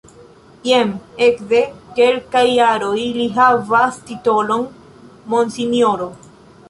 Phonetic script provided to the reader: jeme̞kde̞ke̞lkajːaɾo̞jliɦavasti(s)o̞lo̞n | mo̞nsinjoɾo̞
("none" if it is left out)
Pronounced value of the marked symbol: t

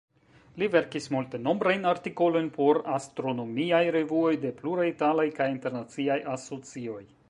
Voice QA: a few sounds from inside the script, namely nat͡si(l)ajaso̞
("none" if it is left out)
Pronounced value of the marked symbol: none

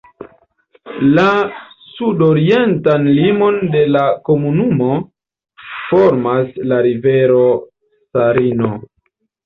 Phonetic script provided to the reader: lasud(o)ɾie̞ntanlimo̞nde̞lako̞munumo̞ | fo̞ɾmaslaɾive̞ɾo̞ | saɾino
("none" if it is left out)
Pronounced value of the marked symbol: o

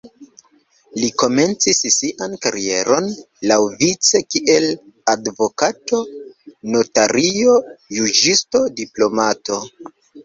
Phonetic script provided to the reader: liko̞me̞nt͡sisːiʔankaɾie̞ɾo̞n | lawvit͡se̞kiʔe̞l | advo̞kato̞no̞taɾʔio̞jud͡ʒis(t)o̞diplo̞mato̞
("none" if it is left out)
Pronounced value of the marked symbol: t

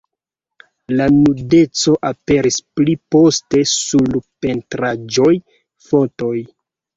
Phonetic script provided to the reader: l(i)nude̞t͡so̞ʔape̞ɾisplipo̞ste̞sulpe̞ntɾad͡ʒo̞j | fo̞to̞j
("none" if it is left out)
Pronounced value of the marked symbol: a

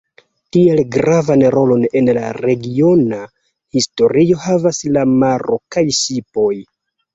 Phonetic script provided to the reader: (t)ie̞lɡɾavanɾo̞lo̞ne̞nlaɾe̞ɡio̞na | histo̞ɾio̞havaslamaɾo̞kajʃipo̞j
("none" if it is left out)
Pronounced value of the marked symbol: t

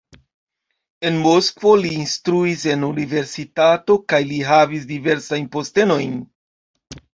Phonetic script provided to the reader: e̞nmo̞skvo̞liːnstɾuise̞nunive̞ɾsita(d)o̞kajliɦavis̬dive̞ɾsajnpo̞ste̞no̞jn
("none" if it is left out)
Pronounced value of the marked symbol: t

